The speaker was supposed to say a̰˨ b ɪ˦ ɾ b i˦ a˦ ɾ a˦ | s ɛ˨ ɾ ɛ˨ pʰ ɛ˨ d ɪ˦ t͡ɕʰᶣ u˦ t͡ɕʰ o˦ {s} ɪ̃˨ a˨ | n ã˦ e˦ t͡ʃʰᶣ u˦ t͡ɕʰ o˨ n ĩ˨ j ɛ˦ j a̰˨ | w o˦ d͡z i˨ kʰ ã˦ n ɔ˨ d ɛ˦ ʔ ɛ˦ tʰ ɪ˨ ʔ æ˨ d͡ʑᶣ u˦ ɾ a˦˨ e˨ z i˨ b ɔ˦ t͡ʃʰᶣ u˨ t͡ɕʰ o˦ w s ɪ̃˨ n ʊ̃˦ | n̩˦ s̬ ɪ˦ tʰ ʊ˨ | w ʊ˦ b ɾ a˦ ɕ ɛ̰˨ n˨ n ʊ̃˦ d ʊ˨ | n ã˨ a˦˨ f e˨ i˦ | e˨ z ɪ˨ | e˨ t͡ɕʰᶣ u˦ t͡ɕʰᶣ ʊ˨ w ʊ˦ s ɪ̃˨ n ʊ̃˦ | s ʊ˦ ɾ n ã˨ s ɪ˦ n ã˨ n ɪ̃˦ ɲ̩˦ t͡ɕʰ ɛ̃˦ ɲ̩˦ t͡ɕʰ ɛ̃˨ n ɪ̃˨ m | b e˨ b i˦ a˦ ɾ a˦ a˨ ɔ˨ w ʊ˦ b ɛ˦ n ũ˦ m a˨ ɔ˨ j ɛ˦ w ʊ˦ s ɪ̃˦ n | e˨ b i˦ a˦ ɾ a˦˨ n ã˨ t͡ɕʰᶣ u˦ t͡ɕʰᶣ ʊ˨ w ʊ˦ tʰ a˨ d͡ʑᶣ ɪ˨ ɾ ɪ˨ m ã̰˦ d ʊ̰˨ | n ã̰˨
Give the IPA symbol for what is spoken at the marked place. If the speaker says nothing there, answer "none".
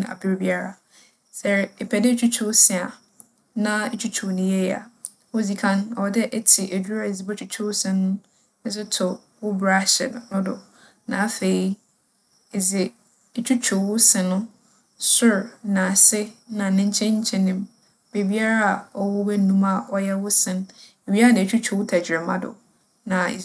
s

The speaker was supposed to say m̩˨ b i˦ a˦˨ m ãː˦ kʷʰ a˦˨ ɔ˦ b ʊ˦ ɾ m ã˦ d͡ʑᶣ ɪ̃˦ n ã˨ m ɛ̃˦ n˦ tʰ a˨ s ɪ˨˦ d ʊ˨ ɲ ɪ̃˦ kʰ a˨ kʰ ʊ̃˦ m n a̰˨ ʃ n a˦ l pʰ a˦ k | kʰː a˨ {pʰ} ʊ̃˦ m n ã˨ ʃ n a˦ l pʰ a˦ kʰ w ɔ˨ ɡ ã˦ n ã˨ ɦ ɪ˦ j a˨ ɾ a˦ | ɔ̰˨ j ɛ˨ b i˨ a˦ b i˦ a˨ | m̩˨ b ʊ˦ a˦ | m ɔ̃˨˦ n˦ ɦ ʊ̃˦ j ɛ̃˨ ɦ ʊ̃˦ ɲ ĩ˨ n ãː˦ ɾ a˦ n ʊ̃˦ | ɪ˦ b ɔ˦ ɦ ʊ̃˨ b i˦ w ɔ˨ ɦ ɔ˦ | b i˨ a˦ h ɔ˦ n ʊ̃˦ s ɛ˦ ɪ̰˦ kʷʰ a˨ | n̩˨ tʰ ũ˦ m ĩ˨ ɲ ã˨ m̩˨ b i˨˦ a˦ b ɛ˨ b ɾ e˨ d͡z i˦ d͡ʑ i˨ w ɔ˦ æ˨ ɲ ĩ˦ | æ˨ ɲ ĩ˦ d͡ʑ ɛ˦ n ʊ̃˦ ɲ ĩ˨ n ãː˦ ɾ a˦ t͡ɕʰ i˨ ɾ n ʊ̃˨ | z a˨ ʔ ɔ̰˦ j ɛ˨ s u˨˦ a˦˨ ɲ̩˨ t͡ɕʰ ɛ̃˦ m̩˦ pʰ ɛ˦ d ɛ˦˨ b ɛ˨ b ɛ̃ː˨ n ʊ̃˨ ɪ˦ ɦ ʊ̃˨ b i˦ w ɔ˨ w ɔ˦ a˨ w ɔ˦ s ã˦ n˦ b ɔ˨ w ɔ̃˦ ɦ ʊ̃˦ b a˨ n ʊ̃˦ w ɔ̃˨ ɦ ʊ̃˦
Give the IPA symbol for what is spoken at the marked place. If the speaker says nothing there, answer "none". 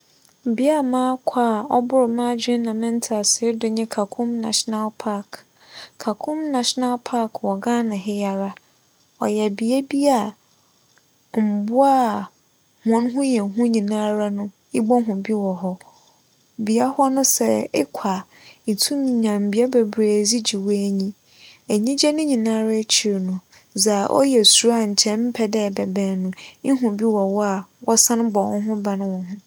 kʰ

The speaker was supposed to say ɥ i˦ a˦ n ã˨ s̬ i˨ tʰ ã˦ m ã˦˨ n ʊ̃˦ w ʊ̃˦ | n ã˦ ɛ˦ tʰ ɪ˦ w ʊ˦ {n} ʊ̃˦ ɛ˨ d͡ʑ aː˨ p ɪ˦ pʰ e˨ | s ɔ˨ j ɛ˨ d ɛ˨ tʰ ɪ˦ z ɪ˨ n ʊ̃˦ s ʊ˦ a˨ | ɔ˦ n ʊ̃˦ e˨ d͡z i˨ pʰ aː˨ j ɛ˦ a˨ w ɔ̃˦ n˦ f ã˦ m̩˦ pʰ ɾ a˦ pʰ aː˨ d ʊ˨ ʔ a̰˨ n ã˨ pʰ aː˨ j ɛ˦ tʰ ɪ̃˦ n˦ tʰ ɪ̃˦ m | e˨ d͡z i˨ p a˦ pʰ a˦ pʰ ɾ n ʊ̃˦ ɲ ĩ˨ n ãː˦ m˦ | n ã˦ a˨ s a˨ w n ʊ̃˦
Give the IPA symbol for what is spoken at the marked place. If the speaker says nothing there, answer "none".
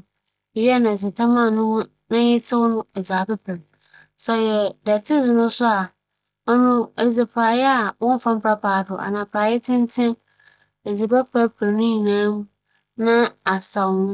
n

